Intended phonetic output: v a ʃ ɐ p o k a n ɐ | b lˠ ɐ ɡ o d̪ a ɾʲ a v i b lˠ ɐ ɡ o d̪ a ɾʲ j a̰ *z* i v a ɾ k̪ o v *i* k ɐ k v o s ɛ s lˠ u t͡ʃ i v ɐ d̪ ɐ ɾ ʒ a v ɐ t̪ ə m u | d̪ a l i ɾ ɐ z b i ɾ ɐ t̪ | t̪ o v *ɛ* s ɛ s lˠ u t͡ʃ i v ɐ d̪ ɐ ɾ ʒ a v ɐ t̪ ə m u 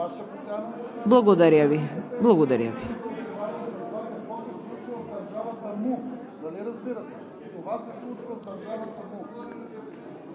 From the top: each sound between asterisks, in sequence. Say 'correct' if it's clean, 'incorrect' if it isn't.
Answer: incorrect, incorrect, incorrect

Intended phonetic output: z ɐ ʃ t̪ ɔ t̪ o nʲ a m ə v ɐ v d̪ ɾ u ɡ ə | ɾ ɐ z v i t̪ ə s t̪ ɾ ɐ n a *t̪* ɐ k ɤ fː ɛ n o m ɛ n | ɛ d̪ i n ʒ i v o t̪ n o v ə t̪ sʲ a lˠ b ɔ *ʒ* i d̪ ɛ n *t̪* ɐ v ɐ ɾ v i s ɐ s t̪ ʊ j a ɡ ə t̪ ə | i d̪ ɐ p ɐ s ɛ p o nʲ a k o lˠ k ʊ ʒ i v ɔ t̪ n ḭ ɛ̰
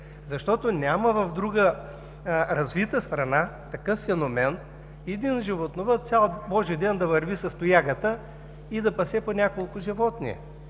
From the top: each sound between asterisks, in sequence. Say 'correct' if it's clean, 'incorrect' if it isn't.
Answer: correct, correct, incorrect

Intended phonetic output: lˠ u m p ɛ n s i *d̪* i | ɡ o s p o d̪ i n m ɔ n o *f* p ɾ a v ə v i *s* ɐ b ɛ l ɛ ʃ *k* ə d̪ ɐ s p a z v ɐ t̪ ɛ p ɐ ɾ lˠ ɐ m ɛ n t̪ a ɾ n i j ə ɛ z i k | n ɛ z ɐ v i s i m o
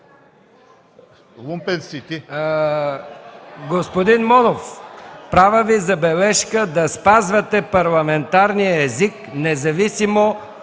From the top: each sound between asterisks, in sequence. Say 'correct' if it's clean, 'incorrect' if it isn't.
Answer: incorrect, correct, incorrect, correct

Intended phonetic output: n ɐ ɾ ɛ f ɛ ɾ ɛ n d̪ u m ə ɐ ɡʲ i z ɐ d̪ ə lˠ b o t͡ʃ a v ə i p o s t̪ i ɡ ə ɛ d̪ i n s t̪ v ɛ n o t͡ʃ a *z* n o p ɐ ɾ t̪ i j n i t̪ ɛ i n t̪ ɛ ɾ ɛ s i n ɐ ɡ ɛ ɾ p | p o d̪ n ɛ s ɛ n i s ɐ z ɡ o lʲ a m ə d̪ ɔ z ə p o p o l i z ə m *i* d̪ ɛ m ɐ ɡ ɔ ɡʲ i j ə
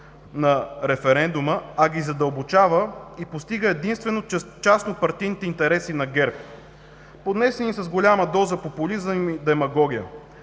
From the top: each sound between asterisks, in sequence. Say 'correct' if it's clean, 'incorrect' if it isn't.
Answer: incorrect, correct

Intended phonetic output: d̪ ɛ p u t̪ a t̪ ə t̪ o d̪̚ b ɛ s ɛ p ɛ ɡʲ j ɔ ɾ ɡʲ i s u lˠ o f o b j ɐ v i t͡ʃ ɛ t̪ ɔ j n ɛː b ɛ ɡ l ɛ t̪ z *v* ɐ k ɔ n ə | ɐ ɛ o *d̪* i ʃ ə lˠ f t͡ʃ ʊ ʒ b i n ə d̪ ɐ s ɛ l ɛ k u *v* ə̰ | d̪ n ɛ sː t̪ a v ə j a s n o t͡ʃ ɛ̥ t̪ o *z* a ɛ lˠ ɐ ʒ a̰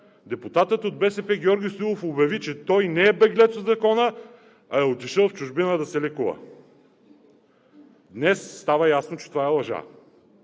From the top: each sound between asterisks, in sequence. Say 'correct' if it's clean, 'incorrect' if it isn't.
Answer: incorrect, incorrect, correct, incorrect

